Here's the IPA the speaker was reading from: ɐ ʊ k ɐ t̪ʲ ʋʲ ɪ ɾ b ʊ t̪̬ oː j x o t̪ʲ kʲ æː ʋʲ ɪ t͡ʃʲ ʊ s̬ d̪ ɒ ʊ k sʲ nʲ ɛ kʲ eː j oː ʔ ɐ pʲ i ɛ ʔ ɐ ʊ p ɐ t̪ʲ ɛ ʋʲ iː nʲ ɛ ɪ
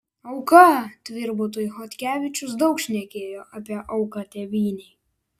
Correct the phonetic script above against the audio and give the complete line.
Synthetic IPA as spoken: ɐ ʊ k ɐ t̪ʲ ʋʲ ɪ ɾ b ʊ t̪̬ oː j x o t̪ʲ kʲ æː ʋʲ ɪ t͡ʃʲ ʊ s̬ d̪ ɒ ʊ k ʃʲ nʲ ɛ kʲ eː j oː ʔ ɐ pʲ i ɛ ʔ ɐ ʊ k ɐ t̪ʲ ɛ ʋʲ iː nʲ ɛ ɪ